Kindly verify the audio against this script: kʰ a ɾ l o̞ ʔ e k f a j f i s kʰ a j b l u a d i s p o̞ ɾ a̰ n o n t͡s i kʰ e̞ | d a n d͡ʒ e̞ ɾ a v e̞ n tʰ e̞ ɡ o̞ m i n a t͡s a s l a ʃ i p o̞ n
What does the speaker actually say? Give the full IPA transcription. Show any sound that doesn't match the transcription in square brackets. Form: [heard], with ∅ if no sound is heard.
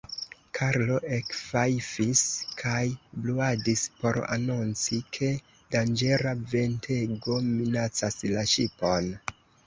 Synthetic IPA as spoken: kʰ a ɾ l o̞ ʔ e k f a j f i s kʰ a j b l u a d i s p o̞ ɾ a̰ n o n t͡s i kʰ e̞ | d a n d͡ʒ e̞ ɾ a v e̞ n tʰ e̞ ɡ o̞ m i n a t͡s a s l a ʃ i p o̞ n